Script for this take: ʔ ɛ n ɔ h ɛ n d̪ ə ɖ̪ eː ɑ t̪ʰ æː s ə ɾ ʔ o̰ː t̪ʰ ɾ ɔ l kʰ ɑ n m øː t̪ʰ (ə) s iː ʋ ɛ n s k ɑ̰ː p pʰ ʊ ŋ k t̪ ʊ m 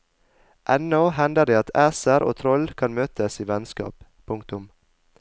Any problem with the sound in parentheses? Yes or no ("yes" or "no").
no